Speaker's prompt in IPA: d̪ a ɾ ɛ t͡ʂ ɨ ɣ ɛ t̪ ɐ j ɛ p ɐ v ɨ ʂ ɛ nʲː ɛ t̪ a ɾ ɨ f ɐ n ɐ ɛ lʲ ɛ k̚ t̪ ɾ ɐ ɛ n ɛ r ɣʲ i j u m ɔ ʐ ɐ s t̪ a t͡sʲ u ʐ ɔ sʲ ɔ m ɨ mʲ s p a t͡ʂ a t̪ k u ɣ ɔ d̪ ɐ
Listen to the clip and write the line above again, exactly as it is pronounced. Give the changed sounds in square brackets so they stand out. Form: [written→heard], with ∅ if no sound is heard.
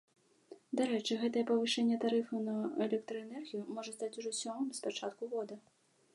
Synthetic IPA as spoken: d̪ a ɾ ɛ t͡ʂ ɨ ɣ ɛ t̪ ɐ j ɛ p ɐ v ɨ ʂ ɛ nʲː ɛ t̪ a ɾ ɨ f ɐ n ɐ ɛ lʲ ɛ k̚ t̪ ɾ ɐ ɛ n ɛ r ɣʲ i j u m ɔ ʐ ɐ s t̪ a t͡sʲ u ʐ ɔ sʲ ɔ m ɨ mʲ s p a t͡ʂ a t̪ k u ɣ ɔ d̪ ɐ